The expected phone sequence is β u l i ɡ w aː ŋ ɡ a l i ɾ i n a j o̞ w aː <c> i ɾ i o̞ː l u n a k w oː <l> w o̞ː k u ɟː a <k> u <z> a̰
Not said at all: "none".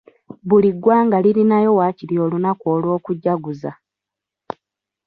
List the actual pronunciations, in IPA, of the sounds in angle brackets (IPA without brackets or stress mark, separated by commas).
c, l, ɡ, z